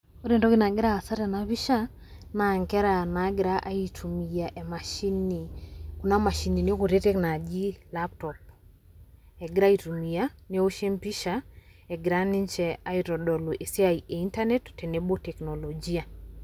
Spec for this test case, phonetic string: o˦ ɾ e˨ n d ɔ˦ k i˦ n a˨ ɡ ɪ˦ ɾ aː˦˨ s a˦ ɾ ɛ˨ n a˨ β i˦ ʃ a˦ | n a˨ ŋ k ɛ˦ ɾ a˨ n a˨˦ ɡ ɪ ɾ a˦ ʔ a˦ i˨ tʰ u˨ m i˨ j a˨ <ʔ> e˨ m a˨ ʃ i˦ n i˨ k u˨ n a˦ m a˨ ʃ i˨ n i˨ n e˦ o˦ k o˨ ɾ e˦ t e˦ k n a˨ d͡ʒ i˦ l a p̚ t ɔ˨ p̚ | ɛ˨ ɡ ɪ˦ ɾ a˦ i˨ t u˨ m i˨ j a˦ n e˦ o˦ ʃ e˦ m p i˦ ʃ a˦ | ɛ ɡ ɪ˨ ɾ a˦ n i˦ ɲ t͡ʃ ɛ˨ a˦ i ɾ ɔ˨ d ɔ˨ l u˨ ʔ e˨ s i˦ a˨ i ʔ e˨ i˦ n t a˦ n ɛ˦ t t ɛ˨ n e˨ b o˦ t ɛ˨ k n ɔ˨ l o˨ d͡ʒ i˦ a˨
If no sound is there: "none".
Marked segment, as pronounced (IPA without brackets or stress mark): ʔ